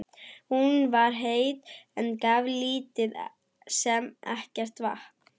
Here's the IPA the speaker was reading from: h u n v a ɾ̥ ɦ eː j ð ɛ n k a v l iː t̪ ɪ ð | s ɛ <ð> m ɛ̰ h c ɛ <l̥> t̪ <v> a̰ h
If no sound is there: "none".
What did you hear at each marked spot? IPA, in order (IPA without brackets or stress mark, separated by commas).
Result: none, r̥, v